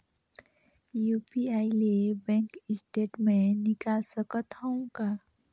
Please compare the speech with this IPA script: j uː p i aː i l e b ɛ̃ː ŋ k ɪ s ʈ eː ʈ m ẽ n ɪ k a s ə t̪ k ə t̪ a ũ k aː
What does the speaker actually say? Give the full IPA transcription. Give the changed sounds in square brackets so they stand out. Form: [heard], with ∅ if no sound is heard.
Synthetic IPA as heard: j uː p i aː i l e b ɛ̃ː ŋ k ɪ s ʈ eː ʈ m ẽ n ɪ k a s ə [∅] k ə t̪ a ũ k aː